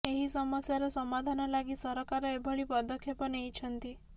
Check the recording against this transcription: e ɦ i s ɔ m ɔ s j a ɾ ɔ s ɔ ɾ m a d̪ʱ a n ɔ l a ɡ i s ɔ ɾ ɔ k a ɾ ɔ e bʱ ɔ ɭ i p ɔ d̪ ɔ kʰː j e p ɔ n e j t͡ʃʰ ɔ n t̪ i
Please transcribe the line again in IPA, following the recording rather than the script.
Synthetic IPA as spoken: e ɦ i s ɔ m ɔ s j a ɾ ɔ s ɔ m a d̪ʱ a n ɔ l a ɡ i s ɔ ɾ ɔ k a ɾ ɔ e bʱ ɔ ɭ i p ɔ d̪ ɔ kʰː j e p ɔ n e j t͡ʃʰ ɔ n t̪ i